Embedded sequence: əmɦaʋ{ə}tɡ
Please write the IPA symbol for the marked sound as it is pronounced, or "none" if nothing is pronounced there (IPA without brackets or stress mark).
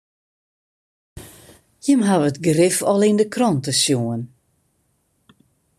ə